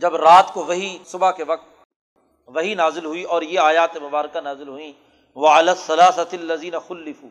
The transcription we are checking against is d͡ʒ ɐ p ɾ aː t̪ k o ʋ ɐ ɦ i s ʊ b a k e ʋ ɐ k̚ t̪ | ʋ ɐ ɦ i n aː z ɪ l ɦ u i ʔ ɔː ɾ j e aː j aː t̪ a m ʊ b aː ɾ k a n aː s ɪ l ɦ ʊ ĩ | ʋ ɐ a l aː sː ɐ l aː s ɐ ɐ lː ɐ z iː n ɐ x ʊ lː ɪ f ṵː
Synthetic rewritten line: d͡ʒ ɐ b ɾ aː t̪ k o ʋ ɐ ɦ i s ʊ b a k e ʋ ɐ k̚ t̪ | ʋ ɐ ɦ i n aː z ɪ l ɦ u i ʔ ɔː ɾ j e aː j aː t̪ e m ʊ b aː ɾ k a n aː z ɪ l ɦ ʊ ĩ | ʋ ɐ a l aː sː ɐ l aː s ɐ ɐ lː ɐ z iː n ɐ x ʊ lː ɪ f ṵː